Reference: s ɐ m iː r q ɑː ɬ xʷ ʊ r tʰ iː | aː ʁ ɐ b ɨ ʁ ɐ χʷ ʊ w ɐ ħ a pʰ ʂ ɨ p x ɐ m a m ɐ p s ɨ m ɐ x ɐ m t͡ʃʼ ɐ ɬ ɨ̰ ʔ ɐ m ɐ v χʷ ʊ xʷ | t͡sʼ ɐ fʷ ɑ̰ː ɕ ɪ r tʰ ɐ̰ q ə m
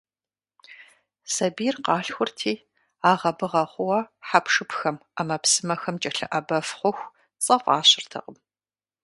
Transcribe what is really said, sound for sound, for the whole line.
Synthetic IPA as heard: s ɐ b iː r q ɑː ɬ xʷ ʊ r tʰ iː | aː ʁ ɐ b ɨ ʁ ɐ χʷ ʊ w ɐ ħ a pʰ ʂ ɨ p x ɐ m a m ɐ p s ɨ m ɐ x ɐ m t͡ʃʼ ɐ ɬ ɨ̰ ʔ ɐ b ɐ f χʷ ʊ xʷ | t͡sʼ ɐ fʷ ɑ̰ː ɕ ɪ r tʰ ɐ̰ q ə m